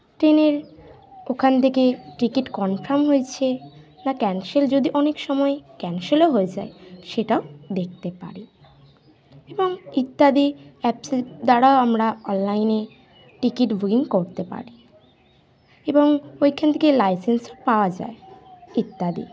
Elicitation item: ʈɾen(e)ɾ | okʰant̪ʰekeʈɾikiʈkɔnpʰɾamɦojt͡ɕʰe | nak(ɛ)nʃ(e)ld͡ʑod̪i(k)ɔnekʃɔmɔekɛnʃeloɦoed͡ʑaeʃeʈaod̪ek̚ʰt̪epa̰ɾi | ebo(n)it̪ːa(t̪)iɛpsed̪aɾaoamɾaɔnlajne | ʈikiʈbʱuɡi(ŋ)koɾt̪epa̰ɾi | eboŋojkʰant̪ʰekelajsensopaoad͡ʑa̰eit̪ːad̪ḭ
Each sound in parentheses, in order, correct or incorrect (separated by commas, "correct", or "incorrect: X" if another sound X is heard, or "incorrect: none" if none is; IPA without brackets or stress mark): correct, correct, correct, incorrect: ʔ, incorrect: ŋ, incorrect: d̪, correct